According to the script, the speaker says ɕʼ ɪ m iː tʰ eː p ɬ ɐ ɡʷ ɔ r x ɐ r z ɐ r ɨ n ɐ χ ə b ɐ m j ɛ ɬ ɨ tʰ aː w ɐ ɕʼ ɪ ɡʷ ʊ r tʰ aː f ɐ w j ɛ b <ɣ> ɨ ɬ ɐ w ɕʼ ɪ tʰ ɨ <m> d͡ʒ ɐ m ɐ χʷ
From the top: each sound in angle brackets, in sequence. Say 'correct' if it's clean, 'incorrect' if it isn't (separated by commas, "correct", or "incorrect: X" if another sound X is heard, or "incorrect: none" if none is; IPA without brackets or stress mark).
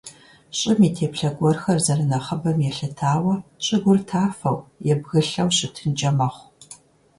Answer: correct, incorrect: n